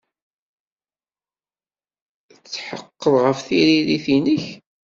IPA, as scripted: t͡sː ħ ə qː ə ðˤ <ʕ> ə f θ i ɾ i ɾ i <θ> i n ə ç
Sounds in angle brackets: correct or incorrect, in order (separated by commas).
incorrect, correct